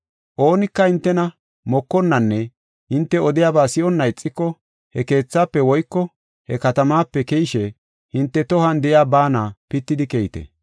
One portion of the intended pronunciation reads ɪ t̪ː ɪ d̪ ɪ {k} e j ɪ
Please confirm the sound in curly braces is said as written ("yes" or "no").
yes